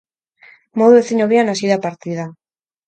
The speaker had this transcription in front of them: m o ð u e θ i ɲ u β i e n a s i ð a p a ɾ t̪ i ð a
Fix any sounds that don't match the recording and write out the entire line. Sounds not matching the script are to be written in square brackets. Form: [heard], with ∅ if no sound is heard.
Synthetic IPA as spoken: m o ð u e θ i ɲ [o] β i [a] n a s i ð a p a ɾ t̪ i ð a